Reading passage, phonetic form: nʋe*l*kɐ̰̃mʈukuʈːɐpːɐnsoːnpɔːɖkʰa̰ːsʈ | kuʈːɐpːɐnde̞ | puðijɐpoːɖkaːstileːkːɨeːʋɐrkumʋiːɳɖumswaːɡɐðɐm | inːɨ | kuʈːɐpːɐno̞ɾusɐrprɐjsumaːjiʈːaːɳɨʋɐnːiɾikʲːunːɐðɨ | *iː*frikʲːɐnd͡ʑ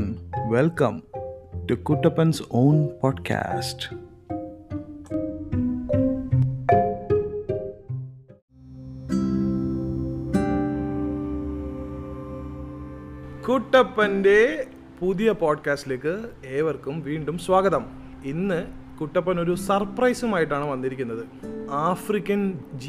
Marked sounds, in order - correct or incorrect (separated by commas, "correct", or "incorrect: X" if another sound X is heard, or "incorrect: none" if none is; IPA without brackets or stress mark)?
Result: correct, incorrect: aː